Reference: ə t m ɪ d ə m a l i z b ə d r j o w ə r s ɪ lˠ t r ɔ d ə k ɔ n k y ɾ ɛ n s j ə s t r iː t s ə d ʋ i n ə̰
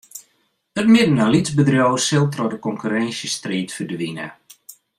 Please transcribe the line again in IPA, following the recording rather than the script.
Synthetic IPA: ə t m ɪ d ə n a l i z b ə d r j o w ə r s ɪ lˠ t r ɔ d ə k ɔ ŋ k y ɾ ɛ n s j ə s t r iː t f ə d ʋ i n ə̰